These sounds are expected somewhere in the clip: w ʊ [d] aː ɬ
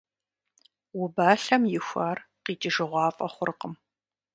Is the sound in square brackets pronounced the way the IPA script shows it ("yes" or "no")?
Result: no